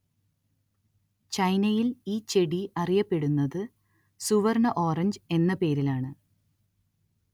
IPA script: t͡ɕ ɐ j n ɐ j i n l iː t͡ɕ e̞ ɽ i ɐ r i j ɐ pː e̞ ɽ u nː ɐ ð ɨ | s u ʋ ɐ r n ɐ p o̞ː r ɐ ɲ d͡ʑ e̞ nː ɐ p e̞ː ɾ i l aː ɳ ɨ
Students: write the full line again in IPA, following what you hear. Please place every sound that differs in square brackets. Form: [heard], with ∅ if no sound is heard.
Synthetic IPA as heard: t͡ɕ ɐ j n ɐ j i [∅] l iː t͡ɕ e̞ ɽ i ɐ r i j ɐ pː e̞ ɽ u nː ɐ ð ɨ | s u ʋ ɐ r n ɐ [ʔ] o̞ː r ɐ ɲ d͡ʑ e̞ nː ɐ p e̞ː ɾ i l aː ɳ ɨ